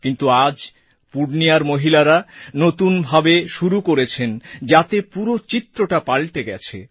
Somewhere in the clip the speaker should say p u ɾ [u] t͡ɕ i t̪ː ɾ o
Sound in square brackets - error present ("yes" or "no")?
yes